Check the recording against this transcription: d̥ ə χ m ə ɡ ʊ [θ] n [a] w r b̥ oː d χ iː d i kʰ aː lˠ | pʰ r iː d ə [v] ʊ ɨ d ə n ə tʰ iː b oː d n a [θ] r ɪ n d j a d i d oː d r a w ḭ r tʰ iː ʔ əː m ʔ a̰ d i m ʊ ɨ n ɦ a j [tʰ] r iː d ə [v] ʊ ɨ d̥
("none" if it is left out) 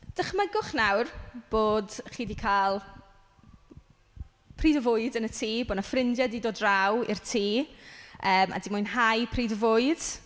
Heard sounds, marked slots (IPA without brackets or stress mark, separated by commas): χ, a, v, f, pʰ, v